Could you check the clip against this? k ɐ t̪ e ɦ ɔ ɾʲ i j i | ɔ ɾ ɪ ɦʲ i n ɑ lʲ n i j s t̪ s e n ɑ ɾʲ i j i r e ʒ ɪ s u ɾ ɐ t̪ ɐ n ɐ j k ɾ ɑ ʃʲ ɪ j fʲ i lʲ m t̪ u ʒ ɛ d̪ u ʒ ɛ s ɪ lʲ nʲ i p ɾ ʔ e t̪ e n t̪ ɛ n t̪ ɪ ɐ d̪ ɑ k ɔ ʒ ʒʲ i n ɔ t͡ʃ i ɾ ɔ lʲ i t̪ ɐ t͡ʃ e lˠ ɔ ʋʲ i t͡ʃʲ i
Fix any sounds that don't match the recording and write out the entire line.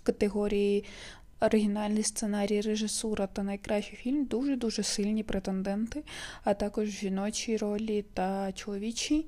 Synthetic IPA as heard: k ɐ t̪ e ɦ ɔ ɾʲ i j i | ɔ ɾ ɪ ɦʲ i n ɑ lʲ n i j s t̪ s e n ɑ ɾʲ i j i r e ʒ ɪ s u ɾ ɐ t̪ ɐ n ɐ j k ɾ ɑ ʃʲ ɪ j fʲ i lʲ m d̪ u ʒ ɛ d̪ u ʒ ɛ s ɪ lʲ nʲ i p ɾ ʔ e t̪ e n d̪ ɛ n t̪ ɪ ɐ t̪ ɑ k ɔ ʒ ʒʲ i n ɔ t͡ʃ i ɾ ɔ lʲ i t̪ ɐ t͡ʃ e lˠ ɔ ʋʲ i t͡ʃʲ i